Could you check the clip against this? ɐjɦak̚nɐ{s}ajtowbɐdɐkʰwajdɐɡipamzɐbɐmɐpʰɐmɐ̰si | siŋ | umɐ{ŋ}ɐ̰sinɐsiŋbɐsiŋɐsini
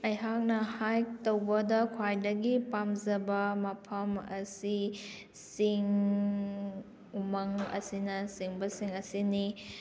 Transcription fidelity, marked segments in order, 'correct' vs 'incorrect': incorrect: h, correct

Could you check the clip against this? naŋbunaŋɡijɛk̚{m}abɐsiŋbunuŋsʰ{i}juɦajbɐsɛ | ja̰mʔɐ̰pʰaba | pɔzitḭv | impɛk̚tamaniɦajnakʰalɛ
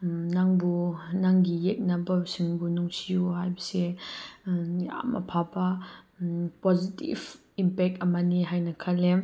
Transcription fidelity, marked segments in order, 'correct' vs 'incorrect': incorrect: n, correct

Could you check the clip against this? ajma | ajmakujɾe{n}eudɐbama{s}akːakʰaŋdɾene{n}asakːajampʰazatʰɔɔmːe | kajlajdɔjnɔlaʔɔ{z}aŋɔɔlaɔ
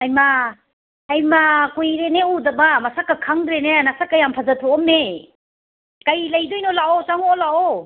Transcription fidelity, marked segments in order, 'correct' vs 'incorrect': correct, correct, correct, incorrect: s

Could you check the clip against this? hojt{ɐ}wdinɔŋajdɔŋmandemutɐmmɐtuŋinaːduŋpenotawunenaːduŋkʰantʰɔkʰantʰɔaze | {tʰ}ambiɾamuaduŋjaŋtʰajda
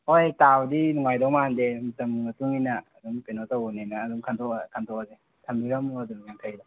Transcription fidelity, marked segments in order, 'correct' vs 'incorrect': incorrect: a, correct

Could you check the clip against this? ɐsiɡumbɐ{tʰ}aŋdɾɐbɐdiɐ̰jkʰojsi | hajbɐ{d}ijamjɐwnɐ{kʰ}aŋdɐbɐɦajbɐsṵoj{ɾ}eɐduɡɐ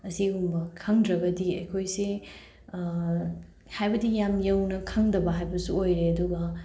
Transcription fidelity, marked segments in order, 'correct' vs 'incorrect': incorrect: kʰ, correct, correct, correct

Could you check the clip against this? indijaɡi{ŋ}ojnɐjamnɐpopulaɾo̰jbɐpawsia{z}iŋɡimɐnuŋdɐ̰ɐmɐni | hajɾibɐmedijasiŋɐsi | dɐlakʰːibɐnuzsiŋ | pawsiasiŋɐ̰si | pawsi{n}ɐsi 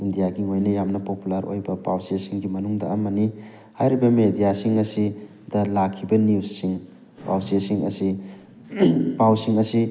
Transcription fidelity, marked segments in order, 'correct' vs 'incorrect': correct, incorrect: s, incorrect: ŋ

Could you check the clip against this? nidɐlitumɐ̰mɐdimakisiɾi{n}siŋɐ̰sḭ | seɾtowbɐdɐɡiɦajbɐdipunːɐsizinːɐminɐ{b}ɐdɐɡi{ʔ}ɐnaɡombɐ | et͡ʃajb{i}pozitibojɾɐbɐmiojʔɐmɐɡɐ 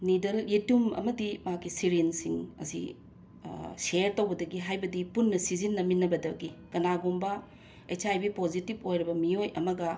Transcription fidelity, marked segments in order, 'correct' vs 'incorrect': correct, correct, incorrect: k, correct

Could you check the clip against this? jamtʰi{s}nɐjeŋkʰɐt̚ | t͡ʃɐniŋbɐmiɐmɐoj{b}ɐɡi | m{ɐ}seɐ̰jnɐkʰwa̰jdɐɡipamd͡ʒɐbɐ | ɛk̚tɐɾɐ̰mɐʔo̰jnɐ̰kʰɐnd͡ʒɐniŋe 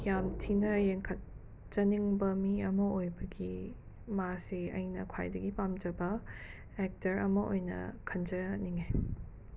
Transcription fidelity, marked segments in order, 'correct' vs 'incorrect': incorrect: none, correct, incorrect: a

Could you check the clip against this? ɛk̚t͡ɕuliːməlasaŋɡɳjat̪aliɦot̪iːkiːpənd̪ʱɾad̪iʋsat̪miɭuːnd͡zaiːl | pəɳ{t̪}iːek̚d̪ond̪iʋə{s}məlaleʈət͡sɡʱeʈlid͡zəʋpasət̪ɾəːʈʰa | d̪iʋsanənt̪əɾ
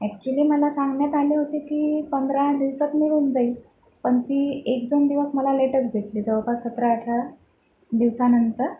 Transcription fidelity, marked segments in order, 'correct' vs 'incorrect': correct, correct

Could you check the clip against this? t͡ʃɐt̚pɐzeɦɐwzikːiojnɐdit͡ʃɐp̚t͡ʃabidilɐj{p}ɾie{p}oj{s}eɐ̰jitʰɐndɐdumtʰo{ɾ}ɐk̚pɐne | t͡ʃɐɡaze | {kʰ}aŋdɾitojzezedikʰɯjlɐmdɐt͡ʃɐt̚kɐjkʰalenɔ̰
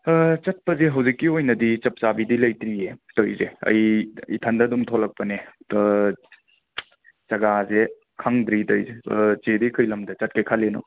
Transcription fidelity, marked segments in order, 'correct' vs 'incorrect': incorrect: t, incorrect: t, incorrect: z, incorrect: l, correct

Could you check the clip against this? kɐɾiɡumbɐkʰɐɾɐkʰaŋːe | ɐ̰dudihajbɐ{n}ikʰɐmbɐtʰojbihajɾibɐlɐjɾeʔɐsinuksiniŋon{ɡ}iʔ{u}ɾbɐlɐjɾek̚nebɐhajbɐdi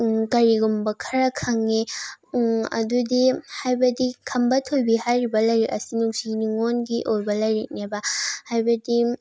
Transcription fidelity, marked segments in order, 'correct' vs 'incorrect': incorrect: d, correct, incorrect: o

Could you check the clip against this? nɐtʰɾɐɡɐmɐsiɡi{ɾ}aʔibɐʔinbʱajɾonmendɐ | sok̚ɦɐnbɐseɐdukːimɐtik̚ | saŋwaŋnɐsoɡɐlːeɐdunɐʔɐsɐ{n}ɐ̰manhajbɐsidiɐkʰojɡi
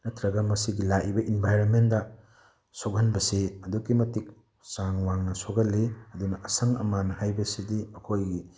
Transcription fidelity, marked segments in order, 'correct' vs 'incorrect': incorrect: l, incorrect: ŋ

